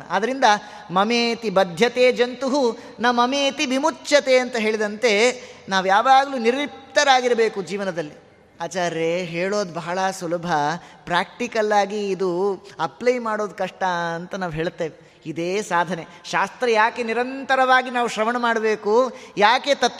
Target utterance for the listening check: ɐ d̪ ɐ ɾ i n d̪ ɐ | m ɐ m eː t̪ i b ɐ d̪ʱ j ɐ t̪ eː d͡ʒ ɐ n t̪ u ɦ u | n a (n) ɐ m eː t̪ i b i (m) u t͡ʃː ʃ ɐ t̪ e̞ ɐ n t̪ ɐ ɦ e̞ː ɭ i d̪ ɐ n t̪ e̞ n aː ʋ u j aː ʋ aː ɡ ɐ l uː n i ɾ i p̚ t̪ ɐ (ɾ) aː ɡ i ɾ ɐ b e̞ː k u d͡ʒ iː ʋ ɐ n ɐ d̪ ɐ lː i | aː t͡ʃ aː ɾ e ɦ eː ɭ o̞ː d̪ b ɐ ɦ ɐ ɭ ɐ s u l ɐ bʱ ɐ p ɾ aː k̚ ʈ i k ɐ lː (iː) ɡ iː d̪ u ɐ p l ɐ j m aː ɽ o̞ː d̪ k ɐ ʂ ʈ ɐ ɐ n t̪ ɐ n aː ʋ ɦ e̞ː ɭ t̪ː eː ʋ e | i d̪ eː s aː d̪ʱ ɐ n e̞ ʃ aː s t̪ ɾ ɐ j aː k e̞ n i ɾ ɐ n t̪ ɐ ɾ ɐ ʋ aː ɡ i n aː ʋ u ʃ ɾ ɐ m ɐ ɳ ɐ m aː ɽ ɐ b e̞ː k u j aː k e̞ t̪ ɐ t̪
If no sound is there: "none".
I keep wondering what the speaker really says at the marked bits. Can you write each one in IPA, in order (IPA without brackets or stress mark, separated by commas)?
m, m, ɾ, aː